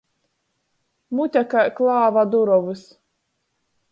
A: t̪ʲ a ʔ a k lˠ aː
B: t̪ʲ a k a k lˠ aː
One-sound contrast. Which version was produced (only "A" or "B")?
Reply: B